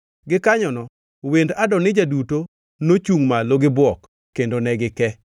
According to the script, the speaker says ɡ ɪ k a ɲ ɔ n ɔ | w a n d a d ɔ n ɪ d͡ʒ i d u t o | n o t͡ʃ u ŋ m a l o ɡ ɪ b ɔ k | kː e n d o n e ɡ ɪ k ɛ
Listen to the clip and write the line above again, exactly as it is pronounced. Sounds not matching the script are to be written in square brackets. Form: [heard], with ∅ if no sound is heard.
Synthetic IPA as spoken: ɡ ɪ k a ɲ ɔ n ɔ | w [e] n d a d ɔ n ɪ d͡ʒ [a] d u t o | n o t͡ʃ u ŋ m a l o ɡ ɪ b ɔ k | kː e n d o n [ɛ] ɡ ɪ k ɛ